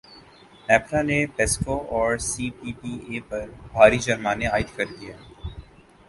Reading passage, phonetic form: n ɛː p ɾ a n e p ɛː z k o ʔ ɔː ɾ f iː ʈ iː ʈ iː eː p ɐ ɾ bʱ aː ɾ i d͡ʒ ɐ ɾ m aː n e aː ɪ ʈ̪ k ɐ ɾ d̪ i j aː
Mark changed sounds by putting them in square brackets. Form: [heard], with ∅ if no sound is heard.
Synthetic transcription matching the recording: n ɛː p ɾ a n e p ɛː [s] k o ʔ ɔː ɾ [s] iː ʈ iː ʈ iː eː p ɐ ɾ bʱ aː ɾ i d͡ʒ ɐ ɾ m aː n e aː ɪ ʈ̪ k ɐ ɾ d̪ i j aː